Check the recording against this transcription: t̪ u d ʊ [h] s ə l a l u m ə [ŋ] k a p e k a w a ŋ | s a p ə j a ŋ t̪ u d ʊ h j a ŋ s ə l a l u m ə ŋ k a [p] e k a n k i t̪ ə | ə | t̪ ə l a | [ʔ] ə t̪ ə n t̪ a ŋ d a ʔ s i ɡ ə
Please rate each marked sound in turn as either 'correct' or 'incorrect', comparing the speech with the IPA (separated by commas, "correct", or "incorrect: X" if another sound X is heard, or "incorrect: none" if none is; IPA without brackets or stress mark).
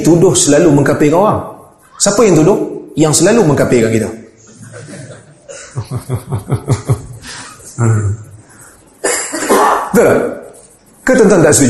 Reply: correct, correct, correct, incorrect: k